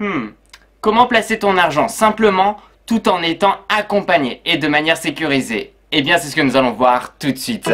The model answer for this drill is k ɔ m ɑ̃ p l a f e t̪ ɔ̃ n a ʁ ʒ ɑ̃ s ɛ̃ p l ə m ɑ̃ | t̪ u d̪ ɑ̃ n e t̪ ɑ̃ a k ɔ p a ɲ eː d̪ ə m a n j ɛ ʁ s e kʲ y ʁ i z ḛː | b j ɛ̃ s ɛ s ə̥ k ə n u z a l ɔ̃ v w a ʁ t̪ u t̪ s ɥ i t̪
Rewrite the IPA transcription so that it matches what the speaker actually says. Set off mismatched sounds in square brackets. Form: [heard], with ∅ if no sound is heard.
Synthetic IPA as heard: k ɔ m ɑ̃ p l a [s] e t̪ ɔ̃ n a ʁ ʒ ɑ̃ s ɛ̃ p l ə m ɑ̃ | t̪ u [t̪] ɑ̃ n e t̪ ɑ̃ a k [ɔ̃] p a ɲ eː d̪ ə m a n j ɛ ʁ s e kʲ y ʁ i z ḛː | b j ɛ̃ s ɛ s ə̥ k ə n u z a l ɔ̃ v w a ʁ t̪ u t̪ s ɥ i t̪